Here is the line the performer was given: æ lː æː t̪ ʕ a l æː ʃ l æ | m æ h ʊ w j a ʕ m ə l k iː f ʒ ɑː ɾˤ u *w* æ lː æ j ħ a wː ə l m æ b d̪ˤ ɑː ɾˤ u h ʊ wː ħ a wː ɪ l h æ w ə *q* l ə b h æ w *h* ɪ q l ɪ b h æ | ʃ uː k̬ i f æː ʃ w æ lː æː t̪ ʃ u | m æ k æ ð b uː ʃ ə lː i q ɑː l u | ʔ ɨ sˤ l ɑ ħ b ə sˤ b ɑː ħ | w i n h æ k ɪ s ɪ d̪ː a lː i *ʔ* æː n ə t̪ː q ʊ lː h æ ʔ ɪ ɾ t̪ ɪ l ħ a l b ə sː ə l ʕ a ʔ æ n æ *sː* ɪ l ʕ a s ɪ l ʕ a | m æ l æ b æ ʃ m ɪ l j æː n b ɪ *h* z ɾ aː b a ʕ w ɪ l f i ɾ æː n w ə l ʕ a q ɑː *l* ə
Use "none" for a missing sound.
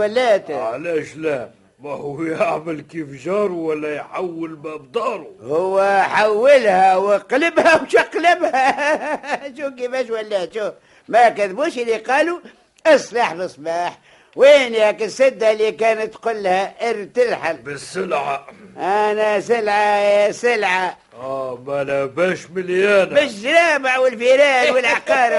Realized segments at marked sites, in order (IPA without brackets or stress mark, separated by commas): w, q, ʃ, k, s, ʃ, ɾ